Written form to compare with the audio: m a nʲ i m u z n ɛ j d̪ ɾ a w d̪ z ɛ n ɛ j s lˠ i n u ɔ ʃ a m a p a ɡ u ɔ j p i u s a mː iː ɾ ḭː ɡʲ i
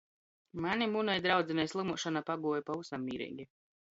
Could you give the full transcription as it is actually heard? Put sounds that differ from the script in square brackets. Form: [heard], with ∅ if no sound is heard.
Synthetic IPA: m a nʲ i m u [∅] n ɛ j d̪ ɾ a w d̪ z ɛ n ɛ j s lˠ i [m] u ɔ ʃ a [n] a p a ɡ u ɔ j p [a] u s a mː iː ɾ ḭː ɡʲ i